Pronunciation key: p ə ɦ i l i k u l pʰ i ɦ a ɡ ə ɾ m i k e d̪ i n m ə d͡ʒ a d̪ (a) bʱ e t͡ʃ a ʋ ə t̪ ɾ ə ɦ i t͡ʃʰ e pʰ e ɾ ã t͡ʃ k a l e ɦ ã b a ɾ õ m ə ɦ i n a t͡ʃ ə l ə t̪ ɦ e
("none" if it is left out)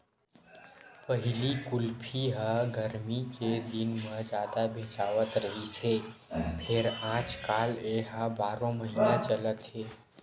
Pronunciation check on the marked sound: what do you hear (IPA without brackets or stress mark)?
a